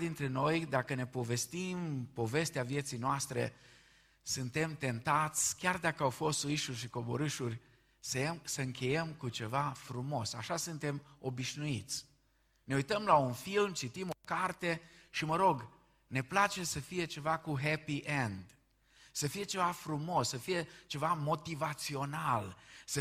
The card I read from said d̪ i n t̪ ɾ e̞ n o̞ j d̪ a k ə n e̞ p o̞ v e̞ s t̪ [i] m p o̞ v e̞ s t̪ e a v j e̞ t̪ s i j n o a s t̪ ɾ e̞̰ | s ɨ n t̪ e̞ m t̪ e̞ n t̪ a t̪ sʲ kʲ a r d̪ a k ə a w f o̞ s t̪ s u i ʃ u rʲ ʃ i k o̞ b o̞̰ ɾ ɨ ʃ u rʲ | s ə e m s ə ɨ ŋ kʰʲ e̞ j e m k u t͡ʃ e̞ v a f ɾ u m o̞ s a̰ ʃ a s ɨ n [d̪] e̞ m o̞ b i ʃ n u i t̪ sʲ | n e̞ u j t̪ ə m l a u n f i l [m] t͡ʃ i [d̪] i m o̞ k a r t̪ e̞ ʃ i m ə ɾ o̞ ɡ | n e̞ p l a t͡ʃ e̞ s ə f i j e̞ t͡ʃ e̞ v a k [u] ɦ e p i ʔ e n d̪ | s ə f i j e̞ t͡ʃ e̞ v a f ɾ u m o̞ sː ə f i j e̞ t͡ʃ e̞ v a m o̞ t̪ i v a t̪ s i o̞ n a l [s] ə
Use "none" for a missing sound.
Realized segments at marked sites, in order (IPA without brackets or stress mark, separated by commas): i, t̪, m, t̪, u, s